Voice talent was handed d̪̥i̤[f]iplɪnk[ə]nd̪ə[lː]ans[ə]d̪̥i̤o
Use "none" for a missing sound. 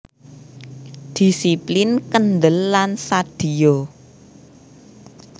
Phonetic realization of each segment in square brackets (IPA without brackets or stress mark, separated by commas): s, ə, lː, a